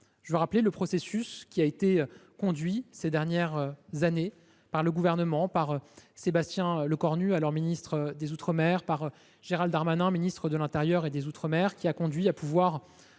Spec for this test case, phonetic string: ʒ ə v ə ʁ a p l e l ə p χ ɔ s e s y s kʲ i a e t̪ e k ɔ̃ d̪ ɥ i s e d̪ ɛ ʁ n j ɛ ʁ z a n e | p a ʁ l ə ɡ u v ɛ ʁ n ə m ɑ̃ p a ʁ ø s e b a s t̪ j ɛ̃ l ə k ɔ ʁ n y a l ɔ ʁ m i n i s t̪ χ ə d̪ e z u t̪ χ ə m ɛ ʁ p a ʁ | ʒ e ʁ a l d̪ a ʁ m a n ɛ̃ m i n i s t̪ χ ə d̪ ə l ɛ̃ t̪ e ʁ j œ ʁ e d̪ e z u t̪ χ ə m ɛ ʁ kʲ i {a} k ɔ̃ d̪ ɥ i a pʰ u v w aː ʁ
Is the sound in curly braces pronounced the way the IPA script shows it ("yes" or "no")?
yes